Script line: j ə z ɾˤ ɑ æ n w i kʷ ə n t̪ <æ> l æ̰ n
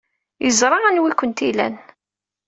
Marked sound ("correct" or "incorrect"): incorrect